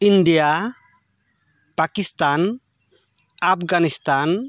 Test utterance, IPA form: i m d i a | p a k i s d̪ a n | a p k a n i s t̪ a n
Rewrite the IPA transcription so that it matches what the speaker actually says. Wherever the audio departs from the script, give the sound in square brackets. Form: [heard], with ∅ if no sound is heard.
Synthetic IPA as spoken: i [n] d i a | p a k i s [t̪] a n | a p [ɡ] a n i s t̪ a n